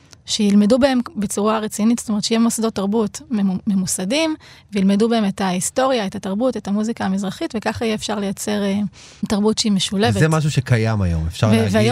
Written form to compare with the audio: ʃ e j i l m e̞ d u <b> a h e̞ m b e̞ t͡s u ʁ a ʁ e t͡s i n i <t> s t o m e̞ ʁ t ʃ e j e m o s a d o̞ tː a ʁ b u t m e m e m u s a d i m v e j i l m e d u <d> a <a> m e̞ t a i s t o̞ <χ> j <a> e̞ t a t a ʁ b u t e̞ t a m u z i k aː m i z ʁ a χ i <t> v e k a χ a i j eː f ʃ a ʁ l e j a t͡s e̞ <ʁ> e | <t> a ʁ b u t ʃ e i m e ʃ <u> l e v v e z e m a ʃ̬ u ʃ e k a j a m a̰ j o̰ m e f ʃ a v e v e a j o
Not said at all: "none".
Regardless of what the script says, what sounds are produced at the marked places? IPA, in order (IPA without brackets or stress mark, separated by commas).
b, t, b, e, ʁ, a, t, ʁ, t, u